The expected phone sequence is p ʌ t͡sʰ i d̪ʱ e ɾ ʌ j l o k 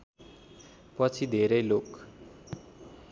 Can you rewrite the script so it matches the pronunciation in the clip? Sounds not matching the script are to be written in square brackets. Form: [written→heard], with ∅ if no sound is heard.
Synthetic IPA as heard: p ʌ t͡sʰ i d̪ʱ e ɾ ʌ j l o k